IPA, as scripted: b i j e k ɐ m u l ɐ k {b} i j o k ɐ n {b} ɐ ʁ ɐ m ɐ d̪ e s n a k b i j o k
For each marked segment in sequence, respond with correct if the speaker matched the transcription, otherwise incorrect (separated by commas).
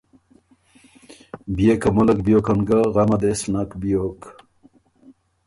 correct, incorrect